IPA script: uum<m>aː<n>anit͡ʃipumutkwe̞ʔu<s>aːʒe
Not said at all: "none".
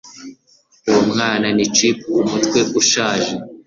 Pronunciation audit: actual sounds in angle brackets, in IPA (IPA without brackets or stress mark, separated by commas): ŋ, n, ʃ